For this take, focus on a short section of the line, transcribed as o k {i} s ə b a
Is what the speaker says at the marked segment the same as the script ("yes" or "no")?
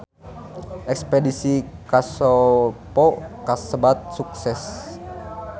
no